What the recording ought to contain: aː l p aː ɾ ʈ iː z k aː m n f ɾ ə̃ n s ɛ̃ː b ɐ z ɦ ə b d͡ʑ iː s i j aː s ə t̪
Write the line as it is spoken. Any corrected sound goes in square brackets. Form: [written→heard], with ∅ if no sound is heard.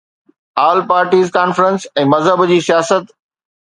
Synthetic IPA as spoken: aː l p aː ɾ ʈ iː z k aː [m→∅] n f ɾ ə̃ n s ɛ̃ː [b→m] ɐ z ɦ ə b d͡ʑ iː s i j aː s ə t̪